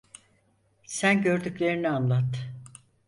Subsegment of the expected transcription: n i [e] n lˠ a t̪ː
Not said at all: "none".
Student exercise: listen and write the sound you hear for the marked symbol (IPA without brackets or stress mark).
a